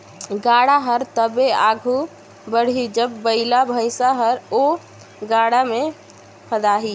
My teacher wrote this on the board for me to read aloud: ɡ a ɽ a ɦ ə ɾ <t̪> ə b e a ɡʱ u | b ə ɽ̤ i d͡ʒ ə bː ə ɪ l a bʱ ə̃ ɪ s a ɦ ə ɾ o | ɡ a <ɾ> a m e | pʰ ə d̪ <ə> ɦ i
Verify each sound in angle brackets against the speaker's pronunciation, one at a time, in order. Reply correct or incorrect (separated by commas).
correct, incorrect, incorrect